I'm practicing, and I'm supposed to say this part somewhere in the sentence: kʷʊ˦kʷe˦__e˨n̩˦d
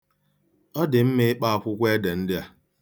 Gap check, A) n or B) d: B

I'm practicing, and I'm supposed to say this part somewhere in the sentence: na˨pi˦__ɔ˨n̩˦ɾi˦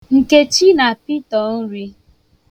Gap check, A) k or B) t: B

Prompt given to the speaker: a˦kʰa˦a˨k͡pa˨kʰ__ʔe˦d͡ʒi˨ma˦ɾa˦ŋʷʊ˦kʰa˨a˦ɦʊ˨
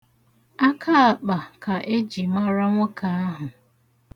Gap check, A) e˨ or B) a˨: B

